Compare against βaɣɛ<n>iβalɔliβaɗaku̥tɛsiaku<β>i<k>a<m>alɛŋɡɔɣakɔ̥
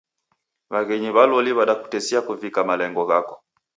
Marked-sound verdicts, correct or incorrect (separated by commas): incorrect, incorrect, correct, correct